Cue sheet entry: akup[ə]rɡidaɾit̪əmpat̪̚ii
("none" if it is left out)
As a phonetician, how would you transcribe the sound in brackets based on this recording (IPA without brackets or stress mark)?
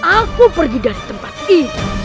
ə